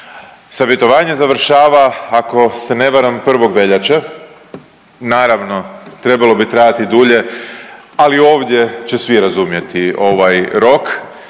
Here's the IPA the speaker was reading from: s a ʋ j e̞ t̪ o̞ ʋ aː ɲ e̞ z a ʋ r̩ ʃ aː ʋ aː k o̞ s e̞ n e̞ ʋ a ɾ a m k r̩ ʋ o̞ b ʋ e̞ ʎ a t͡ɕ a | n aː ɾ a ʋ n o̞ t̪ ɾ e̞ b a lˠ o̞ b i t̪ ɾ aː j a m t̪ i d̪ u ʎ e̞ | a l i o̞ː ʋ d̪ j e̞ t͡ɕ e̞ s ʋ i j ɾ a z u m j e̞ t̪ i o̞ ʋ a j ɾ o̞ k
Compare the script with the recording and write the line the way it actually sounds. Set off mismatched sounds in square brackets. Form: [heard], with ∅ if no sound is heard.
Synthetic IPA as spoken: s a ʋ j e̞ t̪ o̞ ʋ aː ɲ e̞ z a ʋ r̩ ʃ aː ʋ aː k o̞ s e̞ n e̞ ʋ a ɾ a m [p] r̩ ʋ o̞ [ɡ] ʋ e̞ ʎ a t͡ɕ a | n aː ɾ a ʋ n o̞ t̪ ɾ e̞ b a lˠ o̞ b i t̪ ɾ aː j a [∅] t̪ i d̪ u ʎ e̞ | a l i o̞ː ʋ d̪ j e̞ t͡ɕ e̞ s ʋ i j ɾ a z u m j e̞ t̪ i o̞ ʋ a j ɾ o̞ k